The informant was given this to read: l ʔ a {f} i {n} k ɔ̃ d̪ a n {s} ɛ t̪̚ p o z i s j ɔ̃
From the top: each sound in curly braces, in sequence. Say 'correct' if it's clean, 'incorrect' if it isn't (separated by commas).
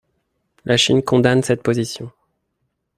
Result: incorrect, correct, correct